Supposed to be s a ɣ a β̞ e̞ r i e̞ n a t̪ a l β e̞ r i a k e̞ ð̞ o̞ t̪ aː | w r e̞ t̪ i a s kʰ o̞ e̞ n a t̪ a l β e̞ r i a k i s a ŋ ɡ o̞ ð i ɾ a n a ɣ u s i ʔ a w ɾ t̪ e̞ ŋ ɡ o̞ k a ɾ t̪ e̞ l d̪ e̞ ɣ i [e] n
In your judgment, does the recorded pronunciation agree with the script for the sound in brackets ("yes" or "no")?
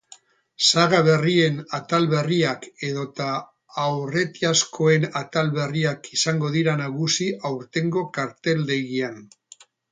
no